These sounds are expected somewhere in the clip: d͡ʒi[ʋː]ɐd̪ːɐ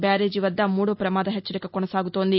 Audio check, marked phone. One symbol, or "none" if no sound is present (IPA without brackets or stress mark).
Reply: ʋ